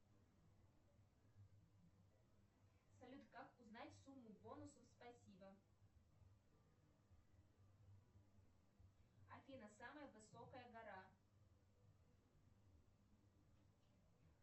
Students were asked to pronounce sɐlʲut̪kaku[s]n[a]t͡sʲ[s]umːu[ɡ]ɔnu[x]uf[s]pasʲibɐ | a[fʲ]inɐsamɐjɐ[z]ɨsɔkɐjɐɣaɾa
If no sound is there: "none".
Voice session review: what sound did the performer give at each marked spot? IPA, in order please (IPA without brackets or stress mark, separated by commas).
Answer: z, a, s, b, s, s, fʲ, v